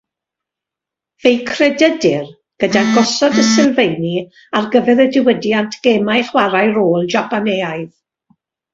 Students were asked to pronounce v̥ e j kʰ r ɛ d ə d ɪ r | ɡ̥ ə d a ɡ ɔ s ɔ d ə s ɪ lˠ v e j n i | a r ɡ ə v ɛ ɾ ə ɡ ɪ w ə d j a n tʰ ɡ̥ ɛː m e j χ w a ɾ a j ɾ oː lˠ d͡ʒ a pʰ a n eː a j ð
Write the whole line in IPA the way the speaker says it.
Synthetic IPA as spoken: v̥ e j kʰ r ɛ d ə d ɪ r | ɡ̥ ə d a ɡ ɔ s ɔ d ə s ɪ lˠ v e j n i | a r ɡ ə v ɛ ɾ ə d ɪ w ə d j a n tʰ ɡ̥ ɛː m a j χ w a ɾ a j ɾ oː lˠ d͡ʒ a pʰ a n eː a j ð